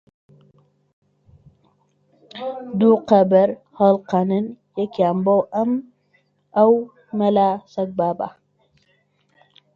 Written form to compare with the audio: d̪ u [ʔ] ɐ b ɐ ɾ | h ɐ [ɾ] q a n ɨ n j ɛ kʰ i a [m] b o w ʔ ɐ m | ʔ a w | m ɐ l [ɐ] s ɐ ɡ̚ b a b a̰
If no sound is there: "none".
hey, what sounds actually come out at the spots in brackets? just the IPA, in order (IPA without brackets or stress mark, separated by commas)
q, l, m, a